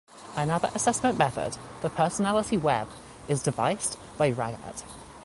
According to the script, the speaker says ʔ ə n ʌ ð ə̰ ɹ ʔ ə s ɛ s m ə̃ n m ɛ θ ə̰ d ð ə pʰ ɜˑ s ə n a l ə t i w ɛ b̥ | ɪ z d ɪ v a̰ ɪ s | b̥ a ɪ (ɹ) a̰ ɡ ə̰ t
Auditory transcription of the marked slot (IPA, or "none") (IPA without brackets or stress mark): ɹ